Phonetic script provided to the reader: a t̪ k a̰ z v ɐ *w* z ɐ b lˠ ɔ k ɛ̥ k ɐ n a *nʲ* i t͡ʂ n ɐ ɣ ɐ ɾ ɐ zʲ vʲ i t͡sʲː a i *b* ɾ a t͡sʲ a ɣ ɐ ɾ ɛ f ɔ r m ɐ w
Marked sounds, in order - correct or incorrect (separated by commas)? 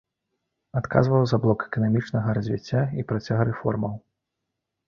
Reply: correct, incorrect, incorrect